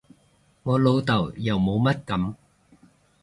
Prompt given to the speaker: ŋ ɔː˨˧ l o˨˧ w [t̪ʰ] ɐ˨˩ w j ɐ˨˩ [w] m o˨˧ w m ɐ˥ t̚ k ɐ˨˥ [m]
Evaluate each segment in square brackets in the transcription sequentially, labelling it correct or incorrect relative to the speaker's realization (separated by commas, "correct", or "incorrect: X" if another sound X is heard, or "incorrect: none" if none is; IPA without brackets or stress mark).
incorrect: t̪, correct, correct